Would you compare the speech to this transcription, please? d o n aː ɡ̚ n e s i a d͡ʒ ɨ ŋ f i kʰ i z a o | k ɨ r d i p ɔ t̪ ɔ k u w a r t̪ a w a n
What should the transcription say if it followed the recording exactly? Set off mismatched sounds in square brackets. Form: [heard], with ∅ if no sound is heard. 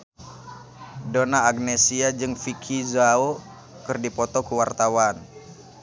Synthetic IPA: d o n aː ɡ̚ n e s i a d͡ʒ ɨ ŋ f i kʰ i z a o | k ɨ r d i p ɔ t̪ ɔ k u w a r t̪ a w a n